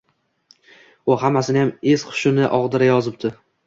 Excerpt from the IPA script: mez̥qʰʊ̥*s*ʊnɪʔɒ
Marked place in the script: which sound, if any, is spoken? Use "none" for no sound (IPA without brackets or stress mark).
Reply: ʃ